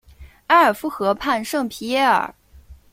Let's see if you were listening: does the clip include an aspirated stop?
yes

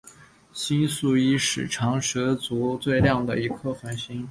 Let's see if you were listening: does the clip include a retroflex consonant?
yes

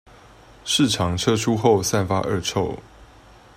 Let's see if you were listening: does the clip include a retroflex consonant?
yes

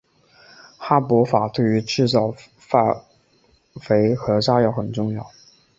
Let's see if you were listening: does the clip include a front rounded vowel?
yes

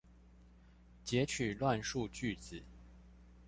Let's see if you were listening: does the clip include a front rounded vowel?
yes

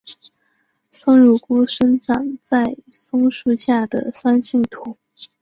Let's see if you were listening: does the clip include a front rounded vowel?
no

